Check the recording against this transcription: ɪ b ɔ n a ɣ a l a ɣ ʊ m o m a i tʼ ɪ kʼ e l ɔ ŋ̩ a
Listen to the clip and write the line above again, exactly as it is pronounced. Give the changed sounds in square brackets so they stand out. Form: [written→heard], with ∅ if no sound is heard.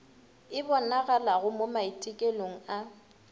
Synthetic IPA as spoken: ɪ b ɔ n a ɣ a l a ɣ ʊ m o m a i tʼ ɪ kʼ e l [ɔ→o] ŋ̩ a